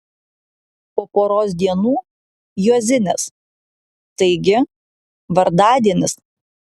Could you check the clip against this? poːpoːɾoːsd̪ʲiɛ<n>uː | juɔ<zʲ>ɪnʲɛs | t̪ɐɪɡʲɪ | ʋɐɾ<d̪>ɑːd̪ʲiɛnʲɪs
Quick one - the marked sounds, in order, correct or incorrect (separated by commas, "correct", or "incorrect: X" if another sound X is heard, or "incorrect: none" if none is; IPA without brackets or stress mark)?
correct, correct, correct